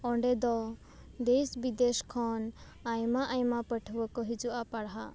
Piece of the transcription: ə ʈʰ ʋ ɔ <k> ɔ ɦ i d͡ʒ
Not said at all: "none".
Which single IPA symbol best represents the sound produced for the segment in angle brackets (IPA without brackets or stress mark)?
k